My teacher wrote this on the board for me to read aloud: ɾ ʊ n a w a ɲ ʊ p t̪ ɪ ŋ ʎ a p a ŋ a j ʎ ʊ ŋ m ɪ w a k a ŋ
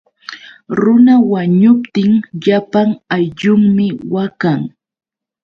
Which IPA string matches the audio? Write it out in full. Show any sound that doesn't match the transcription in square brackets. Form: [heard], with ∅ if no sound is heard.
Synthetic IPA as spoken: ɾ ʊ n a w a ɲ ʊ p t̪ ɪ ŋ ʎ a p a ŋ a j ʎ ʊ ŋ m ɪ w a k a ŋ